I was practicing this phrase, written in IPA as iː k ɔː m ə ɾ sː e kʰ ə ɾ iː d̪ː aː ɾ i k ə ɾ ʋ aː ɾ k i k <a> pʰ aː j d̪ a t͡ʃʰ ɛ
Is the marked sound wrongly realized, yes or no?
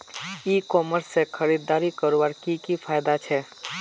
yes